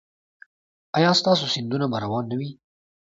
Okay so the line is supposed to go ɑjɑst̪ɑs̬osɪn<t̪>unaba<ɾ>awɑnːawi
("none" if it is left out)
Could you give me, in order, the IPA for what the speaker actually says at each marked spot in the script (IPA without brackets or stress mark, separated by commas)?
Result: d̪, ɾ